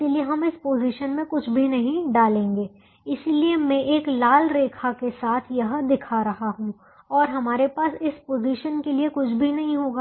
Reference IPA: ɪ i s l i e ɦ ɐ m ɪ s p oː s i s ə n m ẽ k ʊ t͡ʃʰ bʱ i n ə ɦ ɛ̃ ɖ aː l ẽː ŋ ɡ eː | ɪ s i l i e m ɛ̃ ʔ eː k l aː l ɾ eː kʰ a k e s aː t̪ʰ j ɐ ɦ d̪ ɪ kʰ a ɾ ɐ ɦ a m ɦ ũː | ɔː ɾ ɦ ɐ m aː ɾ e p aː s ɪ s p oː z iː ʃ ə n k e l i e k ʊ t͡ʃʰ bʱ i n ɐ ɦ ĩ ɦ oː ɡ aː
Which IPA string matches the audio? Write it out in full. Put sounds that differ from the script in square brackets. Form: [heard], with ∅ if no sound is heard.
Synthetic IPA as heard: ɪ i [∅] l i e ɦ ɐ m ɪ s p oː [z] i [ʃ] ə n m ẽ k ʊ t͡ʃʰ bʱ i n [ɐ] ɦ [ĩ] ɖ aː l ẽː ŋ ɡ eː | ɪ s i l i e m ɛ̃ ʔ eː k l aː l ɾ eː kʰ a k e s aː t̪ʰ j ɐ ɦ d̪ ɪ kʰ a ɾ ɐ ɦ a [∅] ɦ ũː | ɔː ɾ ɦ ɐ m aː ɾ e p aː s ɪ s p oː z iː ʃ ə n k e l i e k ʊ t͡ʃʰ bʱ i n ɐ ɦ ĩ ɦ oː ɡ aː

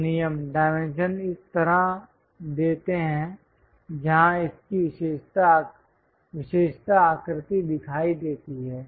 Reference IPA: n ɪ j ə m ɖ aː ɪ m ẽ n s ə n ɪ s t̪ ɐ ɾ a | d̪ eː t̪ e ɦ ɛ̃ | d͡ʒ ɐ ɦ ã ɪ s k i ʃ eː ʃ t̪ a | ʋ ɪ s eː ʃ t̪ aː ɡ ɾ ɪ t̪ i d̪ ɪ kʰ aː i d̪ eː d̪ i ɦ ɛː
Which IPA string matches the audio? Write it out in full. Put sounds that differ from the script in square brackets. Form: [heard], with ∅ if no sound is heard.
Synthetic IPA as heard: n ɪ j ə m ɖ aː ɪ m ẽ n [ʃ] ə n ɪ s t̪ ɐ ɾ a | d̪ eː t̪ e ɦ ɛ̃ | d͡ʒ ɐ ɦ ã ɪ s k i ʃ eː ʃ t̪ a | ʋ ɪ [ʃ] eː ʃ t̪ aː [k] ɾ ɪ t̪ i d̪ ɪ kʰ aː i d̪ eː [t̪] i ɦ ɛː

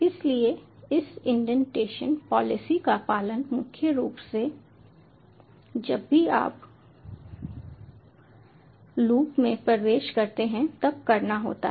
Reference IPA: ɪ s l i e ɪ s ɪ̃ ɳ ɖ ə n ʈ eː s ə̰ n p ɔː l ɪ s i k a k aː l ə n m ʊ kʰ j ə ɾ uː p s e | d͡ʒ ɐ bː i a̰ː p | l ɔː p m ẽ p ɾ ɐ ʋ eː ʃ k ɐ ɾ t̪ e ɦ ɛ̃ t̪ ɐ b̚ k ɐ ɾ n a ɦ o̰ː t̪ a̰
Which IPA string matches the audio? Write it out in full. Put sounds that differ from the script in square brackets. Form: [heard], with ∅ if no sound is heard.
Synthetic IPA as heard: ɪ s l i e ɪ s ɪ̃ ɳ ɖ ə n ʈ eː [ʃ] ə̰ n p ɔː l ɪ s i k a [p] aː l ə n m ʊ kʰ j ə ɾ uː p s e | d͡ʒ ɐ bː i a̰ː p | l [uː] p m ẽ p ɾ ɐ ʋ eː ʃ k ɐ ɾ t̪ e ɦ ɛ̃ t̪ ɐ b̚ k ɐ ɾ n a ɦ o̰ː t̪ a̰

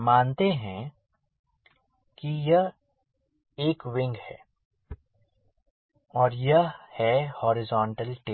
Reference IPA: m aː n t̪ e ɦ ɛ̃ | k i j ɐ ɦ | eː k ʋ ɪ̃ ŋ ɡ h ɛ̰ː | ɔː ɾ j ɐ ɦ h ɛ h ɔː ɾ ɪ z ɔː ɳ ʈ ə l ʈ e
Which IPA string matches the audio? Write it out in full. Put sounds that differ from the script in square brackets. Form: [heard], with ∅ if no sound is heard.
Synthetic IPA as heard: m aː n t̪ e ɦ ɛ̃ | k i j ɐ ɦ | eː k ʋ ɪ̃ ŋ ɡ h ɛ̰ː | ɔː ɾ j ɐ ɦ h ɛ h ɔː ɾ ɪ z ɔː ɳ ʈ ə l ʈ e

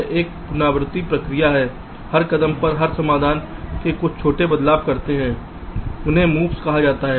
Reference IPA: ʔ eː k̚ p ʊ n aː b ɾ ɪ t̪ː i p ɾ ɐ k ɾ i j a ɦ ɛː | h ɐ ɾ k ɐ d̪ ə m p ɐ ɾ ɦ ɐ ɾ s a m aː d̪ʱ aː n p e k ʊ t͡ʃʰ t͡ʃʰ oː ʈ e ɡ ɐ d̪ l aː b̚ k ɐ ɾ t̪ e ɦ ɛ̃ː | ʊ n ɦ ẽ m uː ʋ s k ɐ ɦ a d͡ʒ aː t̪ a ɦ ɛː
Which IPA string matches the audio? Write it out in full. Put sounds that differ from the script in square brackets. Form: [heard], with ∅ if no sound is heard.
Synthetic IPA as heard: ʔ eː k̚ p ʊ n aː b ɾ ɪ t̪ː i p ɾ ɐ k ɾ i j a ɦ ɛː | h ɐ ɾ k ɐ d̪ ə m p ɐ ɾ ɦ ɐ ɾ s [ɐ] m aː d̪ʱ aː n [k] e k ʊ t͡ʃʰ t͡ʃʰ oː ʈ e [b] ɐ d̪ l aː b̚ k ɐ ɾ t̪ e ɦ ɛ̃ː | ʊ n ɦ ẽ m uː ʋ s k ɐ ɦ a d͡ʒ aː t̪ a ɦ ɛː

